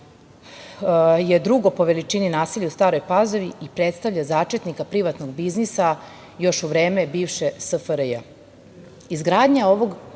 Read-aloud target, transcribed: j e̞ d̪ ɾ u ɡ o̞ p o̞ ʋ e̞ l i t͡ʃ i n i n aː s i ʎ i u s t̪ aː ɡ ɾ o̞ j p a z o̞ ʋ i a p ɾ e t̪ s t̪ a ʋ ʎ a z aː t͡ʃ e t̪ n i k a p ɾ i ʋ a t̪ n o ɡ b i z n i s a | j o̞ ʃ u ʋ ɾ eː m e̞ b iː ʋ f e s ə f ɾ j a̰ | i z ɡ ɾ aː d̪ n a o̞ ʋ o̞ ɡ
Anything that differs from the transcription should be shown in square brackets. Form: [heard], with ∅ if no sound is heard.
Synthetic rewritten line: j e̞ d̪ ɾ u ɡ o̞ p o̞ ʋ e̞ l i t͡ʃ i n i n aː s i ʎ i u s t̪ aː [∅] ɾ o̞ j p a z o̞ ʋ i [i] p ɾ e t̪ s t̪ a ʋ ʎ a z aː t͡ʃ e t̪ n i k a p ɾ i ʋ a t̪ n o ɡ b i z n i s a | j o̞ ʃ u ʋ ɾ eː m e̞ b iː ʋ [ʃ] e s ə f ɾ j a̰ | i z ɡ ɾ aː d̪ [ɲ] a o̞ ʋ o̞ ɡ